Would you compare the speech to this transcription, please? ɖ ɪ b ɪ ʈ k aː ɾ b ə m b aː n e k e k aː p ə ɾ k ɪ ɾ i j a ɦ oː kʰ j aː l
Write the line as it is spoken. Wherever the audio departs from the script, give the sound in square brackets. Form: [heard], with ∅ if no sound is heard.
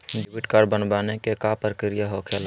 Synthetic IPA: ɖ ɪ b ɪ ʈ k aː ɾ b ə [n] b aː n e k e k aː p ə ɾ k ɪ ɾ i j a ɦ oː kʰ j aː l